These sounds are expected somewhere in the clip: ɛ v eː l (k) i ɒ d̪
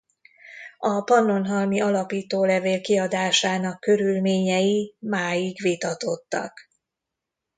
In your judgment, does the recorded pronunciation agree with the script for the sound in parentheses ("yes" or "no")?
yes